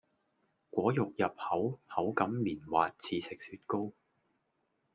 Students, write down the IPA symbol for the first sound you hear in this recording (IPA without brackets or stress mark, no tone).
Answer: kʷ